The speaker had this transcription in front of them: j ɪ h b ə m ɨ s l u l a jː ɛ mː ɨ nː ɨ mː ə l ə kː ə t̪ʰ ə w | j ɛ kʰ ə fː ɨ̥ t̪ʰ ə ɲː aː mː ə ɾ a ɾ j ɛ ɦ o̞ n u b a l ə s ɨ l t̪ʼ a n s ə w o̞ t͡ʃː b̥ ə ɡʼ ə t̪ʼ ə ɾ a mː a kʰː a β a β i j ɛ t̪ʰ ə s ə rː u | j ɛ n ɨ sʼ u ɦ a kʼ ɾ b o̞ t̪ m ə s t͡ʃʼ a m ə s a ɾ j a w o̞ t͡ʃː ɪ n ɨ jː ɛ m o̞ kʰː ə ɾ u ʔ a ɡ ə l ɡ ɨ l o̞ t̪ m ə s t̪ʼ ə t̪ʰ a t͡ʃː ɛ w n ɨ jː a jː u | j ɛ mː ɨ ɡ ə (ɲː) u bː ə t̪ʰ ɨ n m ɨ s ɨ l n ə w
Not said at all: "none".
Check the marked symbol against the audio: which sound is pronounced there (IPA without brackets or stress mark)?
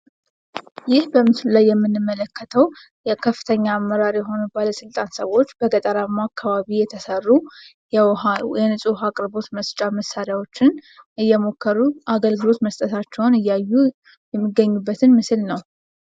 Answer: ɲː